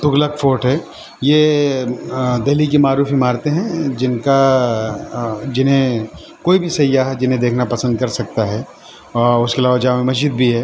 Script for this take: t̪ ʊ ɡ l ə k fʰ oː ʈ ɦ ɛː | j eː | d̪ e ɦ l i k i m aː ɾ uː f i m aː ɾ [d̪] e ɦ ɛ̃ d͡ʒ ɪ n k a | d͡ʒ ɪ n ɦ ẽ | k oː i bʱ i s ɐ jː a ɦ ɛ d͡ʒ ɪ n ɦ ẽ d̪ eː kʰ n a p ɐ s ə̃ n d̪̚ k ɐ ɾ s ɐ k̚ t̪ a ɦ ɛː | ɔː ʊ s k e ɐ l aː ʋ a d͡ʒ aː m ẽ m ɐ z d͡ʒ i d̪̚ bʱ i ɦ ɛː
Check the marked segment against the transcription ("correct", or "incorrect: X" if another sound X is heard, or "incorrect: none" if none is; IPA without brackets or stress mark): incorrect: t̪